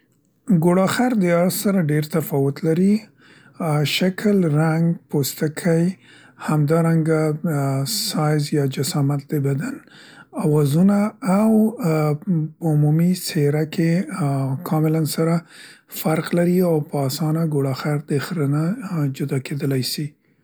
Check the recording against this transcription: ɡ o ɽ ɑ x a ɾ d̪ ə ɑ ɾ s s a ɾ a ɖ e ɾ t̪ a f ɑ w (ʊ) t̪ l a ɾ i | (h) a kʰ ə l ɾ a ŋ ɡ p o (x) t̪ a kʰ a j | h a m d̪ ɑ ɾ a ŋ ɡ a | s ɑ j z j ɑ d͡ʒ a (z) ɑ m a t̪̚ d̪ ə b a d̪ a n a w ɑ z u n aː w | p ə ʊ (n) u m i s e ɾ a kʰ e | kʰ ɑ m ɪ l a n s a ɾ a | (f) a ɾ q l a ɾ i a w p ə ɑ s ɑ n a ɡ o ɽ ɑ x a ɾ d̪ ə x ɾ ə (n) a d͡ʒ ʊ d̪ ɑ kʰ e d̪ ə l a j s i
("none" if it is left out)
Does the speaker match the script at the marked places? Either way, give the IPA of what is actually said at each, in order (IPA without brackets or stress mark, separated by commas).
ʊ, ʃ, s, s, m, f, n